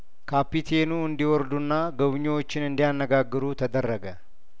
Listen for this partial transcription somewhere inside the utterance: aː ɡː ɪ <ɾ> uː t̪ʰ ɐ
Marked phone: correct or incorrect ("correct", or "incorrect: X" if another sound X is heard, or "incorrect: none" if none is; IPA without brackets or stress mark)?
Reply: correct